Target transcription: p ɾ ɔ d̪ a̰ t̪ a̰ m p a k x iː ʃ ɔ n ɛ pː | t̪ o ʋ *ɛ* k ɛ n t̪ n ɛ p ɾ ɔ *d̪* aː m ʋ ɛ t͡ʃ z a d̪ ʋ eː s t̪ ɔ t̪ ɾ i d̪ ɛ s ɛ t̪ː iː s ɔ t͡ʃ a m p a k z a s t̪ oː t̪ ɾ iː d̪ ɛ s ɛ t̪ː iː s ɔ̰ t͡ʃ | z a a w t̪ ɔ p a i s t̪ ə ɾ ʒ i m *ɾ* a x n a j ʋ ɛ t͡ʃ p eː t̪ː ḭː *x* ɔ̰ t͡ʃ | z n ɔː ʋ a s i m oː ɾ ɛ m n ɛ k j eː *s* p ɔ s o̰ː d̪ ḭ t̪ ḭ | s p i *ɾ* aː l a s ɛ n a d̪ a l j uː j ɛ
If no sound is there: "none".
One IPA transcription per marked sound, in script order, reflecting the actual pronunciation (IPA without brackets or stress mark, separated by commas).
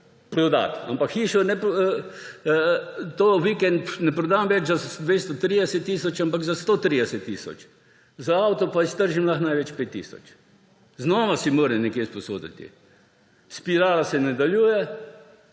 i, d̪, l, s, s, ɾ